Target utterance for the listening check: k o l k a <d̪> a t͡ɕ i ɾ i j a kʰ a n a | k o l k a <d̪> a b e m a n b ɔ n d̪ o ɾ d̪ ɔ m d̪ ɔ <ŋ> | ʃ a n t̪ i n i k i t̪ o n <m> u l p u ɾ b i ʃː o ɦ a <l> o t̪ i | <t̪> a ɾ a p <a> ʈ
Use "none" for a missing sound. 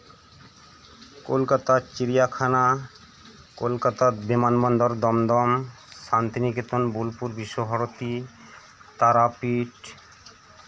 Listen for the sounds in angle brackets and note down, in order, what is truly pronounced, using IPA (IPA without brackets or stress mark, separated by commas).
t̪, t̪, m, b, ɾ, t̪, i